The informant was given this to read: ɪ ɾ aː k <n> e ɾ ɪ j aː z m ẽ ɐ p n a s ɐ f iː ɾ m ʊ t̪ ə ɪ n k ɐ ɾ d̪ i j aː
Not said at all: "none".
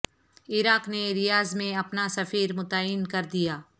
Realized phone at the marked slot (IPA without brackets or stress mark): n